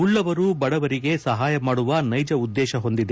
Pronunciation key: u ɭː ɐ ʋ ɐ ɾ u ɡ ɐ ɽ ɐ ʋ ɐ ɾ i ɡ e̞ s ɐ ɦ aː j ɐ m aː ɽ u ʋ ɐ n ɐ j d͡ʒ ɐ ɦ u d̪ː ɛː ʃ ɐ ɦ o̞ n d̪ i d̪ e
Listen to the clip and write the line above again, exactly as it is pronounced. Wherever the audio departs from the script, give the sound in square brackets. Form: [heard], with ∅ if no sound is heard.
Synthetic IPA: u ɭː ɐ ʋ ɐ ɾ u [b] ɐ ɽ ɐ ʋ ɐ ɾ i ɡ e̞ s ɐ ɦ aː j ɐ m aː ɽ u ʋ ɐ n ɐ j d͡ʒ ɐ [∅] u d̪ː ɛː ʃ ɐ ɦ o̞ n d̪ i d̪ e